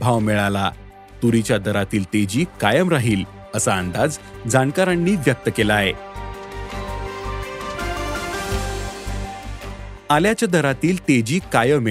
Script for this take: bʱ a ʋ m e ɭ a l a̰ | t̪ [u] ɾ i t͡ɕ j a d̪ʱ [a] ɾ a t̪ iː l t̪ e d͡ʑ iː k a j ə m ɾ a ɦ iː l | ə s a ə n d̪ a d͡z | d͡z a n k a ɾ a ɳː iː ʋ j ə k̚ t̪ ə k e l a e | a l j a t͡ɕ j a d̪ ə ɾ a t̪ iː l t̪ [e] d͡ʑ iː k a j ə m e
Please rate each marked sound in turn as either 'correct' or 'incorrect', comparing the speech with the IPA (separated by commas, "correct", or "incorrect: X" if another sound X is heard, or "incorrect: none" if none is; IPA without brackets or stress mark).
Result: correct, incorrect: ə, correct